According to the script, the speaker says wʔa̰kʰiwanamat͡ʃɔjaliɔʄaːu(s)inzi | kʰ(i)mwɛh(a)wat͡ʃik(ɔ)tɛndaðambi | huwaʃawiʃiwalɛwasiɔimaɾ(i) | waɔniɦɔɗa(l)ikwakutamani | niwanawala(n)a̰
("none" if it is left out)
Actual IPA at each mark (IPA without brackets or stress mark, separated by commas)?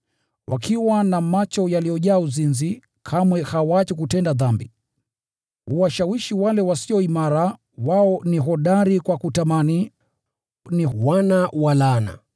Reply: z, a, a, u, a, ɾ, n